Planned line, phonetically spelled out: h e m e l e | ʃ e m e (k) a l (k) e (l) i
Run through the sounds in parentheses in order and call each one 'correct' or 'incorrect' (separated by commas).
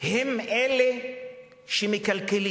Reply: correct, correct, correct